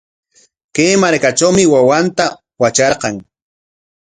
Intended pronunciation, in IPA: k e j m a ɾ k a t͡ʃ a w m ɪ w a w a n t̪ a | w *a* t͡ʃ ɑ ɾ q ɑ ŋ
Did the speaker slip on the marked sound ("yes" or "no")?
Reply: no